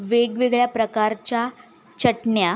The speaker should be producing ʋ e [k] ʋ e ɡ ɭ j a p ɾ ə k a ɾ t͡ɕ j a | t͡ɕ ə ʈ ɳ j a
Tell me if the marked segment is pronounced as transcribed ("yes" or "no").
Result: no